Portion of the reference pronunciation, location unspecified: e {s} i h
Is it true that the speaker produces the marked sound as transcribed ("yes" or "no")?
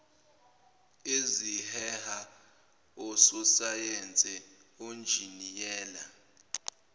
no